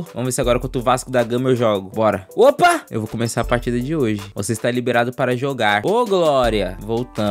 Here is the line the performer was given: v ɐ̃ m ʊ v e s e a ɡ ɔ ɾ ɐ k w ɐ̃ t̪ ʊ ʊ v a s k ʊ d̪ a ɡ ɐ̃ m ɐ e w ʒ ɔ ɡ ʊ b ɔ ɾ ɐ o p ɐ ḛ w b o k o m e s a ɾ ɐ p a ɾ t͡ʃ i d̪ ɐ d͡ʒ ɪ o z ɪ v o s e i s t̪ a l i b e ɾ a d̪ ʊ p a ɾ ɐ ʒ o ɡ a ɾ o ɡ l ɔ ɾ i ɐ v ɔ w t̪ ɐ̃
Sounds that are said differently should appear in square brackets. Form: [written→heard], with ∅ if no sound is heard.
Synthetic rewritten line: v ɐ̃ m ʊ v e s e a ɡ ɔ ɾ ɐ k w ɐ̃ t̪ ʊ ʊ v a s k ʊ d̪ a ɡ ɐ̃ m ɐ e w ʒ ɔ ɡ ʊ b ɔ ɾ ɐ o p ɐ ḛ w [b→v] o k o m e s a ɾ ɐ p a ɾ t͡ʃ i d̪ ɐ d͡ʒ ɪ o [z→ʒ] ɪ v o s e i s t̪ a l i b e ɾ a d̪ ʊ p a ɾ ɐ ʒ o ɡ a ɾ o ɡ l ɔ ɾ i ɐ v [ɔ→o] w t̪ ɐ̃